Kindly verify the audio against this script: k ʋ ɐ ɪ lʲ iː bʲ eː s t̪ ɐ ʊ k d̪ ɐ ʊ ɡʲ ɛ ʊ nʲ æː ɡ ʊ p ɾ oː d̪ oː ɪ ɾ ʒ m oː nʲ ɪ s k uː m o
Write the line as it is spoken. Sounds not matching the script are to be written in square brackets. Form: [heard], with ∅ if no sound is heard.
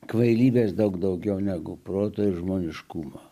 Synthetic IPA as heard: k ʋ ɐ ɪ lʲ iː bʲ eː s [d̪] ɐ ʊ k d̪ ɐ ʊ ɡʲ ɛ ʊ nʲ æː ɡ ʊ p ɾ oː [t̪] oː ɪ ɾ ʒ m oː nʲ ɪ [ʃ] k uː m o